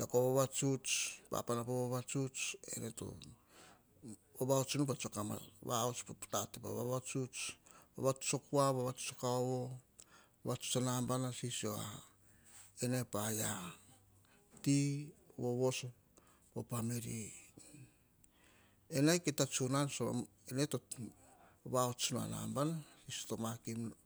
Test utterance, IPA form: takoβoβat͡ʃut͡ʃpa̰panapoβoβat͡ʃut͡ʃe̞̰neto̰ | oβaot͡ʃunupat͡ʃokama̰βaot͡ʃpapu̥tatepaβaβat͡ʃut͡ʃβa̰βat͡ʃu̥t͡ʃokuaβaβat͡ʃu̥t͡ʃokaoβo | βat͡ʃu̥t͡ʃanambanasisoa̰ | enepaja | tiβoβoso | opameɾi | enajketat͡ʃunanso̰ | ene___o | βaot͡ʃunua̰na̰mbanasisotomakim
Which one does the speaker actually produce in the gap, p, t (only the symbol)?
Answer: t